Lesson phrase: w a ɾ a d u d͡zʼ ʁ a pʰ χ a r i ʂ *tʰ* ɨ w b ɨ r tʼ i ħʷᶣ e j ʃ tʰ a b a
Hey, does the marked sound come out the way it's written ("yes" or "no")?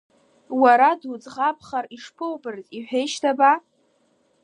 no